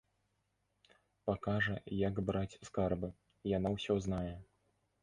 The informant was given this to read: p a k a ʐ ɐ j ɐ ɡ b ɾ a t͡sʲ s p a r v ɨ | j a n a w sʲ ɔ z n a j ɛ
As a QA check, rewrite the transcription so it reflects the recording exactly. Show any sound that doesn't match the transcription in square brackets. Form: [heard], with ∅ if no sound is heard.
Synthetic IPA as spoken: p a k a ʐ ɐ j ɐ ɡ b ɾ a t͡sʲ s [k] a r [b] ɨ | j a n a w sʲ ɔ z n a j ɛ

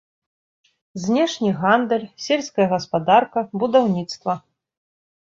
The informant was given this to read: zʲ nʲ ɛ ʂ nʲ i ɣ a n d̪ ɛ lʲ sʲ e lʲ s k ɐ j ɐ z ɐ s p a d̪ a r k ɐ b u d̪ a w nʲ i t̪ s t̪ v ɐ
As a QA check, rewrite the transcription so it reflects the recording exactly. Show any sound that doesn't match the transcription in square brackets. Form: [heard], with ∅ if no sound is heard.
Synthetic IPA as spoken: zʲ nʲ ɛ ʂ nʲ i ɣ a n d̪ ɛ lʲ sʲ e lʲ s k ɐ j ɐ [ɣ] ɐ s p a d̪ a r k ɐ b u d̪ a w nʲ i t̪ s t̪ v ɐ

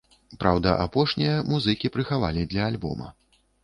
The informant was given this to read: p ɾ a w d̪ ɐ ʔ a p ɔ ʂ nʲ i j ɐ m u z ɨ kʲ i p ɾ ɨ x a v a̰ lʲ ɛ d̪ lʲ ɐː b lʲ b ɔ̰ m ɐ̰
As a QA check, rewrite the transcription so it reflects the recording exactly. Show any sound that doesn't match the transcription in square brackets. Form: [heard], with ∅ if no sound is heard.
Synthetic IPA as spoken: p ɾ a w d̪ ɐ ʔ a p ɔ ʂ nʲ i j ɐ m u z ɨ kʲ i p ɾ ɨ x a v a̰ lʲ [i] d̪ lʲ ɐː [∅] lʲ b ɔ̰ m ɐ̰

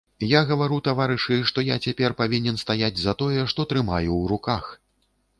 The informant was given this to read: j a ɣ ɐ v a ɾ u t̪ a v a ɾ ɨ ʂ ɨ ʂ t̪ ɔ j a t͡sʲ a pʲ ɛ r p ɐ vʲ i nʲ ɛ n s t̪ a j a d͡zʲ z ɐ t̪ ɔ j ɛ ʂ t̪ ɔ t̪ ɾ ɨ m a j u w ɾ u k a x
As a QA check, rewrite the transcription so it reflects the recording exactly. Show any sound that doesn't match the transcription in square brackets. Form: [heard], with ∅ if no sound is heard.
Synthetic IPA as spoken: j a ɣ ɐ v a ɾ u t̪ a v a ɾ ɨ ʂ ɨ ʂ t̪ ɔ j a t͡sʲ a pʲ ɛ r p [a] vʲ i nʲ ɛ n s t̪ a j a d͡zʲ z ɐ t̪ ɔ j ɛ ʂ t̪ ɔ t̪ ɾ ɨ m a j u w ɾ u k a x

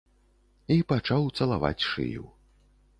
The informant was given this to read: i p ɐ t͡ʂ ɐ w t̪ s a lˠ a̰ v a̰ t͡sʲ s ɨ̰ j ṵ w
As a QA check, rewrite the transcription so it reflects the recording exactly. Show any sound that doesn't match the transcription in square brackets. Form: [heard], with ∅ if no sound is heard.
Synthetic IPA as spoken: i p [a] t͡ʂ [a] w t̪ s [ɐ] lˠ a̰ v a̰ t͡sʲ [ʂ] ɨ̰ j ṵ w

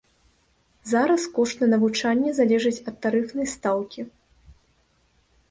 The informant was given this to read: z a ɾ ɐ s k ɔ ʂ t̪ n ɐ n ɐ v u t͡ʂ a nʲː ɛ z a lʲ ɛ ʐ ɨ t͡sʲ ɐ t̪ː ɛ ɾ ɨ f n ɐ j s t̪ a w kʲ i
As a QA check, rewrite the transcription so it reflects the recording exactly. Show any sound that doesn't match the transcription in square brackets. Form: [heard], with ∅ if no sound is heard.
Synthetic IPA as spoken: z a ɾ ɐ s k ɔ ʂ t̪ n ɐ n ɐ v u t͡ʂ a nʲː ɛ z a lʲ ɛ ʐ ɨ t͡sʲ ɐ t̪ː [a] ɾ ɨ f n ɐ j s t̪ a w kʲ i

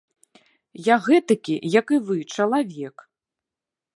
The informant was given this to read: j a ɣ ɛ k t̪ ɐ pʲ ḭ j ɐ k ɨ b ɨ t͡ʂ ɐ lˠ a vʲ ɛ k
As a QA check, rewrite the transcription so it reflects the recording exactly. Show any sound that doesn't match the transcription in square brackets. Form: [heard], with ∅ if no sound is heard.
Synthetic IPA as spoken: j a ɣ ɛ [∅] t̪ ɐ [kʲ] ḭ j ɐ k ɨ [v] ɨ t͡ʂ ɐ lˠ a vʲ ɛ k

